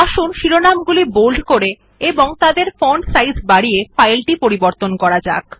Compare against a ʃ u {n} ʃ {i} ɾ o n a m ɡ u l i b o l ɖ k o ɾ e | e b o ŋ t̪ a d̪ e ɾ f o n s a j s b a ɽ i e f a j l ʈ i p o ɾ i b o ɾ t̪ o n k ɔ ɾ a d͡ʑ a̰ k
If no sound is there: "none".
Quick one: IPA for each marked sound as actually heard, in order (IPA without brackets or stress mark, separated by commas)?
n, i